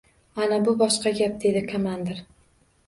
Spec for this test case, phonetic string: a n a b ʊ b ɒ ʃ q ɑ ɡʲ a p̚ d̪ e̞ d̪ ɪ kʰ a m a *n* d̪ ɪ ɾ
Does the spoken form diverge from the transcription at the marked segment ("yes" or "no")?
no